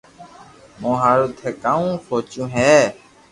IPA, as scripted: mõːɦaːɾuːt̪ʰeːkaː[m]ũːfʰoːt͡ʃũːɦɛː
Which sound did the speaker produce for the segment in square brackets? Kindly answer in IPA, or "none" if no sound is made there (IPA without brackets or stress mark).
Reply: none